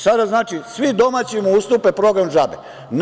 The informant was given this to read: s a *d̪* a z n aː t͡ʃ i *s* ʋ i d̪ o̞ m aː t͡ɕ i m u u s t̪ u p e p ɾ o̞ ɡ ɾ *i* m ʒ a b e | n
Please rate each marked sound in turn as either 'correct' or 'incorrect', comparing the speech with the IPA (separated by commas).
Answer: correct, correct, incorrect